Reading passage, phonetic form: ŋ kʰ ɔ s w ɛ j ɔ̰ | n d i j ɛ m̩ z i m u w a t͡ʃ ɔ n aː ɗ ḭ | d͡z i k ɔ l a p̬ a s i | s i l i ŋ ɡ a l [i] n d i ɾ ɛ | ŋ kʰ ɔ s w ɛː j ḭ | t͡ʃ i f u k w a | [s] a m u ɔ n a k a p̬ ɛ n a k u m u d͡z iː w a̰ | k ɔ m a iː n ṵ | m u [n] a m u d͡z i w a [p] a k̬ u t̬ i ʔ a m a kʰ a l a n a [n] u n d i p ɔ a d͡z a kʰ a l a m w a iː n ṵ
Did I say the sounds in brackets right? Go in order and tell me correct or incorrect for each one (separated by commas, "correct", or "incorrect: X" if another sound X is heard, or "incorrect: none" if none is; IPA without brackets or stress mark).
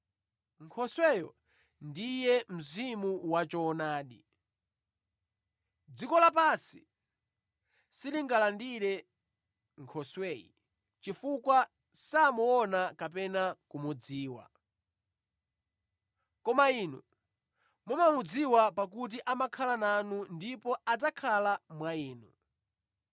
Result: incorrect: a, correct, incorrect: m, correct, correct